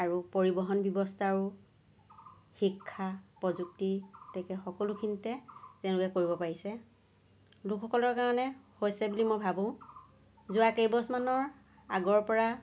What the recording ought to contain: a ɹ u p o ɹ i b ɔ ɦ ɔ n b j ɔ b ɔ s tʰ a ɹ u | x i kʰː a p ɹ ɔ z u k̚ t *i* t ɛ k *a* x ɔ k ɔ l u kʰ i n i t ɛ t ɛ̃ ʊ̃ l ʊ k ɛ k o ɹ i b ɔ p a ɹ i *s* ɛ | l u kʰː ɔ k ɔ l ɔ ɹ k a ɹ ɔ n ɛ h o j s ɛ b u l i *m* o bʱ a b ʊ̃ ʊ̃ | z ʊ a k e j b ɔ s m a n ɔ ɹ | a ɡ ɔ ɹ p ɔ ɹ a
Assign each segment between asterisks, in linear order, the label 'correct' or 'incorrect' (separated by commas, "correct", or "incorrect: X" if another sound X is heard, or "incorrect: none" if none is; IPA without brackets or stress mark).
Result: correct, incorrect: ɛ, correct, correct